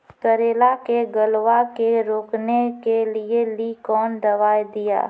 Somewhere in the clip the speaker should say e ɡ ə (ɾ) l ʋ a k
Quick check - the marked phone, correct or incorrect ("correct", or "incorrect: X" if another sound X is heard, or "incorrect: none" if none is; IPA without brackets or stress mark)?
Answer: incorrect: none